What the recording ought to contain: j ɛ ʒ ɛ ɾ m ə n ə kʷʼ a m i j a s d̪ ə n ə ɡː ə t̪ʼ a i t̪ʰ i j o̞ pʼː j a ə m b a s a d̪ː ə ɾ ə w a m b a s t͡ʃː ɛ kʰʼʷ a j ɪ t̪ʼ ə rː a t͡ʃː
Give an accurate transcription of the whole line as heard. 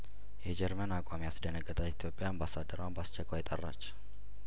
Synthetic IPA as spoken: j ɛ d͡ʒ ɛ ɾ m ə n a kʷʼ a m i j a s d̪ ə n ə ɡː ə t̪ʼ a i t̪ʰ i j o̞ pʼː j a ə m b a s a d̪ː ə ɾ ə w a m b a s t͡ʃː ɛ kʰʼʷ a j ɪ t̪ʼ ə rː a t͡ʃː